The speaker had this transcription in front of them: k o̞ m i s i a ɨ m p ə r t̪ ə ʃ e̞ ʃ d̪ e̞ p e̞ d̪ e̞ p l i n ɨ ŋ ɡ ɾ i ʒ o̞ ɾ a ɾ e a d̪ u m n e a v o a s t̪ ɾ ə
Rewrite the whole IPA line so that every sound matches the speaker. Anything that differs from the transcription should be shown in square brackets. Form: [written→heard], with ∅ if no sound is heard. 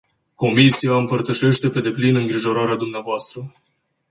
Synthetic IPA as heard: k o̞ m i s i a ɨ m p ə r t̪ ə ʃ e̞ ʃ [d̪→t̪] e̞ p e̞ d̪ e̞ p l i n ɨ ŋ ɡ ɾ i ʒ o̞ ɾ a ɾ e a d̪ u m n e a v o a s t̪ ɾ ə